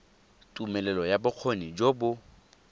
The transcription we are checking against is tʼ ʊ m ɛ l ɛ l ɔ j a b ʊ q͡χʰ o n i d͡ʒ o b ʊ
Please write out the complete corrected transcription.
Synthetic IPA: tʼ u m ɛ l ɛ l ɔ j a b ʊ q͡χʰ o n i d͡ʒ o b ʊ